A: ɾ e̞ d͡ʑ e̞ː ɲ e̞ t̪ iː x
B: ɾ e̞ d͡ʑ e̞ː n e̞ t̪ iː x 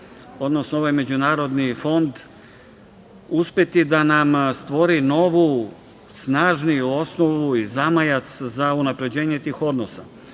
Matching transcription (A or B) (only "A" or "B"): A